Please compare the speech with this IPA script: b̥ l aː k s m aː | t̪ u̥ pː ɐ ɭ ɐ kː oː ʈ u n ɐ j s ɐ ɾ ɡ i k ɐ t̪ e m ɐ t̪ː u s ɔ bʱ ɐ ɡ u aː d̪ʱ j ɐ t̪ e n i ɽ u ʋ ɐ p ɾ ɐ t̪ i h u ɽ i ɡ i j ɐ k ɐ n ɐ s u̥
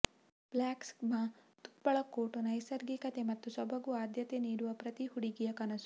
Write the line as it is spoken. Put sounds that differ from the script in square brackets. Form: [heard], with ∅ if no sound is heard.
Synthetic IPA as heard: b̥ l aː k s m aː | t̪ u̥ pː ɐ ɭ ɐ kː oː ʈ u n ɐ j s ɐ ɾ ɡ i k ɐ t̪ e m ɐ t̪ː u s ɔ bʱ ɐ ɡ u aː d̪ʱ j ɐ t̪ e n [iː] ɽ u ʋ ɐ p ɾ ɐ t̪ i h u ɽ i ɡ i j ɐ k ɐ n ɐ s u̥